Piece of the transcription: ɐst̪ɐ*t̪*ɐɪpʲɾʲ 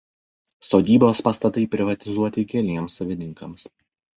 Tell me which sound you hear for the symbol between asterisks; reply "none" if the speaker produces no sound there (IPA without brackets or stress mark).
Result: t̪